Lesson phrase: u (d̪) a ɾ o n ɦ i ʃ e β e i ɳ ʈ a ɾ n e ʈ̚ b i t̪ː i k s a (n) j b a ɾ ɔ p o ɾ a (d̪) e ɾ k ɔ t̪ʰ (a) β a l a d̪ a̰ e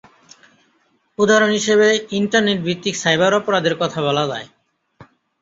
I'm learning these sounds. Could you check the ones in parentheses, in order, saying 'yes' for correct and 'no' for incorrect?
yes, no, yes, yes

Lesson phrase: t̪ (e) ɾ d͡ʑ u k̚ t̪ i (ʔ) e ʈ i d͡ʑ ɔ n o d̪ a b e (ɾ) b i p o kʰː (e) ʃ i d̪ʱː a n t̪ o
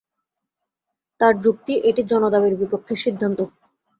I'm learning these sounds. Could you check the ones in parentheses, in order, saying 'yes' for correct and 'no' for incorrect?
no, yes, yes, yes

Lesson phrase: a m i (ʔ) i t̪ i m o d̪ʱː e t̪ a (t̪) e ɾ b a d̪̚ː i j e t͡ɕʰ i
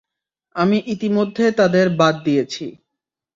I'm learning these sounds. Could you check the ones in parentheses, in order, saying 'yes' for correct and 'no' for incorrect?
yes, no

